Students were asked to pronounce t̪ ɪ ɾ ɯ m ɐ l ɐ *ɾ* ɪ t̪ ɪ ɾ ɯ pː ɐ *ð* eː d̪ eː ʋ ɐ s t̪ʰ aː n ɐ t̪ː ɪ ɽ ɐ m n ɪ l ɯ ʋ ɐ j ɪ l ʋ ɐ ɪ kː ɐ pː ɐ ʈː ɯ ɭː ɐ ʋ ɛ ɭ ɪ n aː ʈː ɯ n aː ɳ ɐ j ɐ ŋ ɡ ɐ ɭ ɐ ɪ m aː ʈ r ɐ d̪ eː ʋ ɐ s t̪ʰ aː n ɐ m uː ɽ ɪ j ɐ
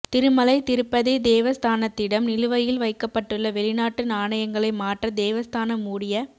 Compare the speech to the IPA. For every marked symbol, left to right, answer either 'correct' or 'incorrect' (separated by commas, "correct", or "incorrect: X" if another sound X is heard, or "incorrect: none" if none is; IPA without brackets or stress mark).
incorrect: none, correct